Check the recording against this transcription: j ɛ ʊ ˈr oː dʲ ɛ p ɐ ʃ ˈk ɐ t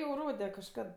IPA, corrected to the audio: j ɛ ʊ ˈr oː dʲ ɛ k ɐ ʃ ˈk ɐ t